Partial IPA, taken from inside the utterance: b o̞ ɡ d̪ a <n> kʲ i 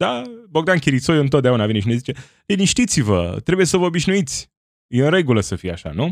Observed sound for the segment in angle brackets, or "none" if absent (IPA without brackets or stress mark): n